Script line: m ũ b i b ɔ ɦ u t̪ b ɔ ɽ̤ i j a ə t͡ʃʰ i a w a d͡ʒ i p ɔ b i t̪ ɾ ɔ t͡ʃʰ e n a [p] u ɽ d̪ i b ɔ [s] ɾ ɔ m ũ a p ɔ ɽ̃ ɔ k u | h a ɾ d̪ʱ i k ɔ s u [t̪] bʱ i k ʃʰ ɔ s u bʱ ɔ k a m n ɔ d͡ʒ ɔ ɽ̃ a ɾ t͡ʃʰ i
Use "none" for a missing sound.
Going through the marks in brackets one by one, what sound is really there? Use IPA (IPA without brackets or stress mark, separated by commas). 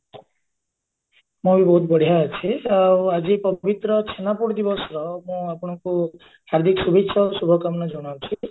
p, s, none